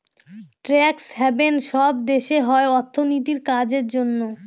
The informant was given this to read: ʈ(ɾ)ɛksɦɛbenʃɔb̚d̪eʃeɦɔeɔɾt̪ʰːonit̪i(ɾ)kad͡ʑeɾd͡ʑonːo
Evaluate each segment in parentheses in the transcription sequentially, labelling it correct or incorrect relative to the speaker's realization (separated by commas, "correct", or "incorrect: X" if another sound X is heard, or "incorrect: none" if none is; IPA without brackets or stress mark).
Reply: correct, correct